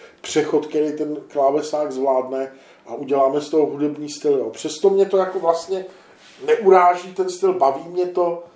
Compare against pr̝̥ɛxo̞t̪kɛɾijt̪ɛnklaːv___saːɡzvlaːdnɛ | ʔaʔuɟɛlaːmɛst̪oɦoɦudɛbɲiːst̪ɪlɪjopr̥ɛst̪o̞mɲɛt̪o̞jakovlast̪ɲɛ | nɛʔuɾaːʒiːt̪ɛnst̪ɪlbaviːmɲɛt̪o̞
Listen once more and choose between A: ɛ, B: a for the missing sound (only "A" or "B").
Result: A